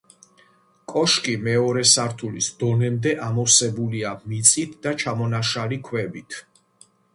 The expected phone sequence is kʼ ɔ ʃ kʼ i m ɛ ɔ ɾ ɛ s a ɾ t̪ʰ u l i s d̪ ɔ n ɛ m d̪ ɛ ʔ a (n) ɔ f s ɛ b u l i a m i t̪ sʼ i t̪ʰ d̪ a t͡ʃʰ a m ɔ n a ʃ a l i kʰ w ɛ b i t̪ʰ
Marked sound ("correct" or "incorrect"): incorrect